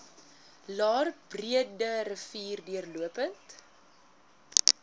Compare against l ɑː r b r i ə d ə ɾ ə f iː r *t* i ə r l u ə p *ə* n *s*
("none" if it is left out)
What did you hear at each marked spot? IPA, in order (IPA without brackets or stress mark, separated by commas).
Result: d, ə, t